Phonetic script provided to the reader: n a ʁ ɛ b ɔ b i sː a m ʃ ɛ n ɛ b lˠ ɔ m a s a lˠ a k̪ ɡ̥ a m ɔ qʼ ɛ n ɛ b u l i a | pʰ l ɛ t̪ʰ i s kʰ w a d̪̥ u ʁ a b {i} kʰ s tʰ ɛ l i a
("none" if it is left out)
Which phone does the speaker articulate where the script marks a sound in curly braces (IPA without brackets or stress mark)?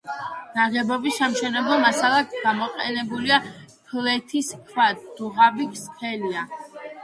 i